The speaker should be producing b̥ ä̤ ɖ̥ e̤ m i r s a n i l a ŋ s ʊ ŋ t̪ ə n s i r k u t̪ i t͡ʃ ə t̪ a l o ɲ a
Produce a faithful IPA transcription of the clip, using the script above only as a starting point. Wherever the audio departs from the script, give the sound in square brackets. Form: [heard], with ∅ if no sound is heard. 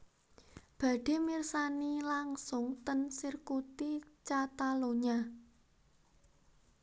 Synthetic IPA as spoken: b̥ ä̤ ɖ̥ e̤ m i r s a n i l a ŋ s ʊ ŋ t̪ ə n s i r k u t̪ i t͡ʃ [a] t̪ a l o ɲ a